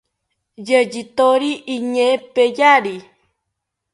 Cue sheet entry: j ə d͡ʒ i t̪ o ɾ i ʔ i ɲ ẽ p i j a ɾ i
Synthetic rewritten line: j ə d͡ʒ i t̪ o ɾ i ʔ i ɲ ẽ p e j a ɾ i